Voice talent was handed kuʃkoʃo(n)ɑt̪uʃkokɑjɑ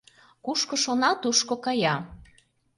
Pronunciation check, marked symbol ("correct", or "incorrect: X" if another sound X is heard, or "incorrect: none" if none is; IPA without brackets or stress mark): correct